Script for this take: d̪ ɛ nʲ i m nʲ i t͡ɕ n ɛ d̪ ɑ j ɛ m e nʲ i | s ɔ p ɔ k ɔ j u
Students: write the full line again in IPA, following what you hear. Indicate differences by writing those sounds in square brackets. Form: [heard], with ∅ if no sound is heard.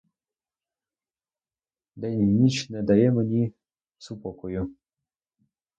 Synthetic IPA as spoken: d̪ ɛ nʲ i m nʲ i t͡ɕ n ɛ d̪ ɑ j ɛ m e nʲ i | s [u] p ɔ k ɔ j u